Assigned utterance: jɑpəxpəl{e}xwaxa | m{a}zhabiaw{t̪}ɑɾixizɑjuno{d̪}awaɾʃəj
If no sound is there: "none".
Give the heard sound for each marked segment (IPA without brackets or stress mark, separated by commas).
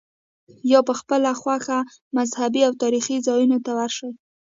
a, a, t̪, t̪